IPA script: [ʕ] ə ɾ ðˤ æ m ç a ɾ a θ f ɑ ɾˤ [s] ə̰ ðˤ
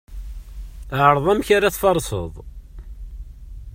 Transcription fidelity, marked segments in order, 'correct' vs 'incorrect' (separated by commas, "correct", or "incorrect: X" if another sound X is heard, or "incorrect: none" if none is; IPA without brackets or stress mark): correct, correct